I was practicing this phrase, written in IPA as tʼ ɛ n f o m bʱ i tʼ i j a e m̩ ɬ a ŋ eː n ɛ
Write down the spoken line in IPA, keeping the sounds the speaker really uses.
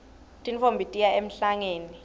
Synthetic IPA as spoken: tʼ i n f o m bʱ i tʼ i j a e m̩ ɬ a ŋ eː n i

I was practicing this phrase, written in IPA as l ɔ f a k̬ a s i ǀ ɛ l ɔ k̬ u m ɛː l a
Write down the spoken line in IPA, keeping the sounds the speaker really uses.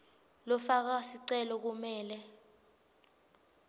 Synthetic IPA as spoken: l ɔ f a k̬ a s i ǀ ɛ l ɔ k̬ u m ɛː l ɛ

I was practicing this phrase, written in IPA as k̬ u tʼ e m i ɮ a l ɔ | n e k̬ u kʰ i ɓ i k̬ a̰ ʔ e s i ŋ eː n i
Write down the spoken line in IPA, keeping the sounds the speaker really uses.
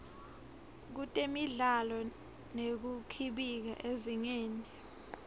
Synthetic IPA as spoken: k̬ u tʼ e m i ɮ a l ɔ | n e k̬ u kʰ i ɓ i k̬ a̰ ʔ e z i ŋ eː n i

